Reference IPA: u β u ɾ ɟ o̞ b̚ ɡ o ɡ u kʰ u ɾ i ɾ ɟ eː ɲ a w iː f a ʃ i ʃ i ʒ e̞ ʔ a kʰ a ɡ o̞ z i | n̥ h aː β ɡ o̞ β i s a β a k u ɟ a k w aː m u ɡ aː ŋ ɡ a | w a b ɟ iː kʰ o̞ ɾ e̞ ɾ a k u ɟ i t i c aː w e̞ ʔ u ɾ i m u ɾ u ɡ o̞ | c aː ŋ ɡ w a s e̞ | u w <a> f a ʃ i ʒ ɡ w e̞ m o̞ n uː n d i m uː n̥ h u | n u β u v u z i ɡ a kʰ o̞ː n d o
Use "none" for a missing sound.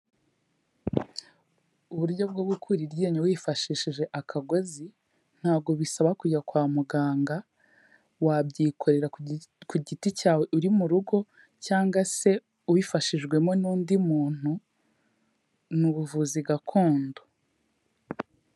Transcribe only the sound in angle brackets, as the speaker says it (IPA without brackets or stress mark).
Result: i